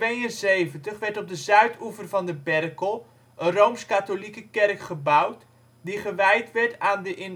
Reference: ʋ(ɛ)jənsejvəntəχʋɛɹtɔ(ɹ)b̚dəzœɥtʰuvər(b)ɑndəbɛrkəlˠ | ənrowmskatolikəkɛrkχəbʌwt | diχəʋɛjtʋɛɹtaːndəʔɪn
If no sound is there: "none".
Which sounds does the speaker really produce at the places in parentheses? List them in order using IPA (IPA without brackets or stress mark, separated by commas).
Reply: e, none, v